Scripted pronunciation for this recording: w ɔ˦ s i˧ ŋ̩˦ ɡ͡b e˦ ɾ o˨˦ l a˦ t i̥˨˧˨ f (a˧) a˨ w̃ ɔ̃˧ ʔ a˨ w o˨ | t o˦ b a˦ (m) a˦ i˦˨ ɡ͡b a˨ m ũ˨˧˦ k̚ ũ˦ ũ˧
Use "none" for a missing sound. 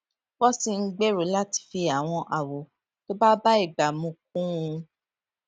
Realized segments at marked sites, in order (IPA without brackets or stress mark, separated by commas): i˧, b